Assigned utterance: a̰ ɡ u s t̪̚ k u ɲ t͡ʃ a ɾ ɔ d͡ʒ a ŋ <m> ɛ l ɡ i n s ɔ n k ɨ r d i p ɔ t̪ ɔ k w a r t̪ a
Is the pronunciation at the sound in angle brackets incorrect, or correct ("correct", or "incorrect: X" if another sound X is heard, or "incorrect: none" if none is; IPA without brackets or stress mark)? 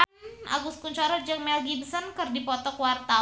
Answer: correct